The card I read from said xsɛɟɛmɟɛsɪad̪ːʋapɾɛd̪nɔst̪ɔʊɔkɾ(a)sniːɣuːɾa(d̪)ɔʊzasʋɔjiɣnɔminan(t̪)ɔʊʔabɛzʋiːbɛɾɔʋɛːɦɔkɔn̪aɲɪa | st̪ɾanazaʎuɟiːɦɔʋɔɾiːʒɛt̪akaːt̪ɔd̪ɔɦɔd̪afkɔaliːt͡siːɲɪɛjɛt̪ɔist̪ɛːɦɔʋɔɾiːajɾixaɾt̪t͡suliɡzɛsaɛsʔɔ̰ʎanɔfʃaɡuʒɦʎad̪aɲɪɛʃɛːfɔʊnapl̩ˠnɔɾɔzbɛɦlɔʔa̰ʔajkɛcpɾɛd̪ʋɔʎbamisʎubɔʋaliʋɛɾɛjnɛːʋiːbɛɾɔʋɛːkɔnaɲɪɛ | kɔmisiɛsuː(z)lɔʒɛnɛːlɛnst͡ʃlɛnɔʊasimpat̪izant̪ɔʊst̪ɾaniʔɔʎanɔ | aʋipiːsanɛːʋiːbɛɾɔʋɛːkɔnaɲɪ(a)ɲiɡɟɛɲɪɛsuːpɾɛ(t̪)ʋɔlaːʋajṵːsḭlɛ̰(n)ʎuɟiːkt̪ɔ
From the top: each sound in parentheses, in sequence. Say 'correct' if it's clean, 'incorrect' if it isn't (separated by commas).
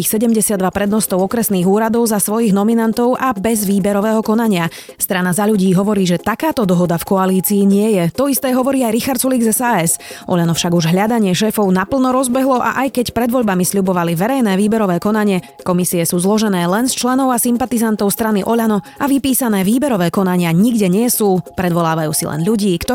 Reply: incorrect, correct, correct, correct, correct, incorrect, correct